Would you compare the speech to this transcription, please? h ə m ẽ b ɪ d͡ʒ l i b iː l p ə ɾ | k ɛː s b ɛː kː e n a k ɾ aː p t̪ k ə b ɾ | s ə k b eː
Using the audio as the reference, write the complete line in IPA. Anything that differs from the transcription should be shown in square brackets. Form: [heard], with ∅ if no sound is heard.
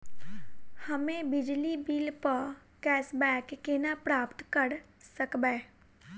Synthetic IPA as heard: h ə m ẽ b ɪ d͡ʒ l i b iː l p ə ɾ | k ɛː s b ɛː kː e n a [p] ɾ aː p t̪ k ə [∅] ɾ | s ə k b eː